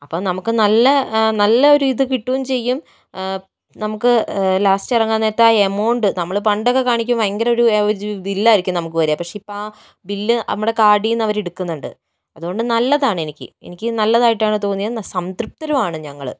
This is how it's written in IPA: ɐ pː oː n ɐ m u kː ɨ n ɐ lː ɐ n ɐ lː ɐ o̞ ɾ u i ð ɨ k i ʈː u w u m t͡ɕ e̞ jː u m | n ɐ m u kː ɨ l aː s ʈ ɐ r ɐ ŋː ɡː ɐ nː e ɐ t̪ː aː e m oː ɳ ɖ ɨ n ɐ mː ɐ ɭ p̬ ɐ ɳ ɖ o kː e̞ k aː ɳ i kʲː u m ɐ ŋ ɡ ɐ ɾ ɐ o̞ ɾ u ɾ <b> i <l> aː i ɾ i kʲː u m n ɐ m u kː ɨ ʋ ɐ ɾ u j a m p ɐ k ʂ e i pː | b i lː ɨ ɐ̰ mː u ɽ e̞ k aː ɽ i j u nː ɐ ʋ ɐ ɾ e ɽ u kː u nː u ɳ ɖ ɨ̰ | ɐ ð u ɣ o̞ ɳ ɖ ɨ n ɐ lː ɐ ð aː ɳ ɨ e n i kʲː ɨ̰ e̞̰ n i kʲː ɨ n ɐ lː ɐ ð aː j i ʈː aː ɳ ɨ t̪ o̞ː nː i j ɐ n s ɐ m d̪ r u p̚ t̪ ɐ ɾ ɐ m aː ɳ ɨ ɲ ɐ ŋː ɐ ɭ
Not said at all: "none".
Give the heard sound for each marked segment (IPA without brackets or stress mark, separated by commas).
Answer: b, lː